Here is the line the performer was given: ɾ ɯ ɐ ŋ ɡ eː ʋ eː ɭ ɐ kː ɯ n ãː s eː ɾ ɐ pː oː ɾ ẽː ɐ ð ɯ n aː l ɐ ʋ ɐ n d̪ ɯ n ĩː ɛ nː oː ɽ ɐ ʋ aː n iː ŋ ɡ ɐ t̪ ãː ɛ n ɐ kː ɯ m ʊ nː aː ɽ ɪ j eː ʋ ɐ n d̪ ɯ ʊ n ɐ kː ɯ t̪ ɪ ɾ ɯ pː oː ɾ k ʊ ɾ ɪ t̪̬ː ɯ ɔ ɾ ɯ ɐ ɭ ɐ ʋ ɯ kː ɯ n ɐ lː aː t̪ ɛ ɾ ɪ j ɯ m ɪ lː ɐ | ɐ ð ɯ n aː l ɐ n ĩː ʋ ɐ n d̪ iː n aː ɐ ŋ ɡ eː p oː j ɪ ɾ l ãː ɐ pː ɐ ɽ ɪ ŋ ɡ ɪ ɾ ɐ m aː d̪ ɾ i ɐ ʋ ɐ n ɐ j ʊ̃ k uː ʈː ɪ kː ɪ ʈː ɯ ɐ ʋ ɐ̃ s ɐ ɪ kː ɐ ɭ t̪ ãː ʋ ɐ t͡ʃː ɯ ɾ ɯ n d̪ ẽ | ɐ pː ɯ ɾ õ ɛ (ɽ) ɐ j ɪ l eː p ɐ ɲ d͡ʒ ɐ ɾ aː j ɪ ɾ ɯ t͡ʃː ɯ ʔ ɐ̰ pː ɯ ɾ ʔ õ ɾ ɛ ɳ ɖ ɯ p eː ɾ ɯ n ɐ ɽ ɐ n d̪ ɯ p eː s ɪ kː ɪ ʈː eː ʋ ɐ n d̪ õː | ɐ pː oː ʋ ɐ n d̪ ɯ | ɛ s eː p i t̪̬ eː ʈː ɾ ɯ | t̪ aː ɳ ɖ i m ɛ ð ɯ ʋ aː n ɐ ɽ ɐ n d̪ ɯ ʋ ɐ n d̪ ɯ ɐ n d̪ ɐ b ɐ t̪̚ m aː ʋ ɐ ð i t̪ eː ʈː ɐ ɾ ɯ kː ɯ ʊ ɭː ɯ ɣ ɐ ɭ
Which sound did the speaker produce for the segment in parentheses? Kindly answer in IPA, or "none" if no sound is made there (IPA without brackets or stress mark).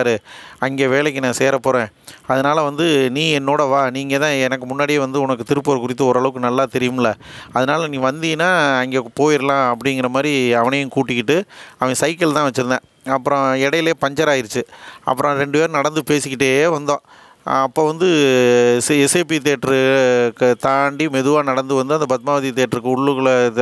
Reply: ɽ